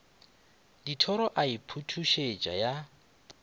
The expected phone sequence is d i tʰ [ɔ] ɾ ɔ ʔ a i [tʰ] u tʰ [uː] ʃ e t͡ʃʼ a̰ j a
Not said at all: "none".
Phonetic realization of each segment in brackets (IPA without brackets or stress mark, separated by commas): ɔ, pʰ, u